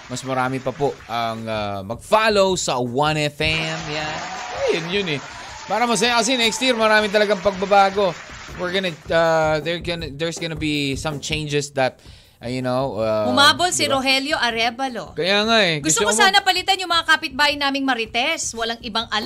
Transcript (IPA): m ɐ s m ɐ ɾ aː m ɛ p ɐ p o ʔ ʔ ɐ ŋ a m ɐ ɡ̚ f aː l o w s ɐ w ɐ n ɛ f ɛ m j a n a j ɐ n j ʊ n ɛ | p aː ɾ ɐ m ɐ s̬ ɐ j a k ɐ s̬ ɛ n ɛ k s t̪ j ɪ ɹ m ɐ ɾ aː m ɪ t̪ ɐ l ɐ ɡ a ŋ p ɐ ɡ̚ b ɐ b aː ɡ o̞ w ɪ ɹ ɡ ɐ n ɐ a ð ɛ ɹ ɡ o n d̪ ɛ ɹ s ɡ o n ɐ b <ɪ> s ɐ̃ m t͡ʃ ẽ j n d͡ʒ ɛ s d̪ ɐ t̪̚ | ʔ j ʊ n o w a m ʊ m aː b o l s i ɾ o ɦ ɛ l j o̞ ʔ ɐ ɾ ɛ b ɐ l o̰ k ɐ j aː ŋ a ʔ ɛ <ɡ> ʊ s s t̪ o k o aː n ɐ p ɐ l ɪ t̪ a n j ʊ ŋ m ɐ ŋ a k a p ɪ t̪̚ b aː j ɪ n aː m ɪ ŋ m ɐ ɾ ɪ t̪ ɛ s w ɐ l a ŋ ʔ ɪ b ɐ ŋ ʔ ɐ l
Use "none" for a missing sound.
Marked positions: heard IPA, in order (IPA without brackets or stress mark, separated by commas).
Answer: i, ɡ